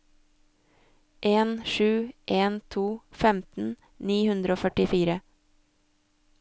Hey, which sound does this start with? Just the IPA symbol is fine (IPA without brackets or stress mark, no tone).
ʔ